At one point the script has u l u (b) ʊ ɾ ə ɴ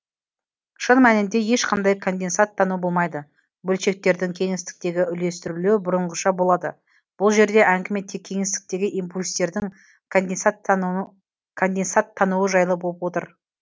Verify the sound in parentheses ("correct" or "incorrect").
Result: correct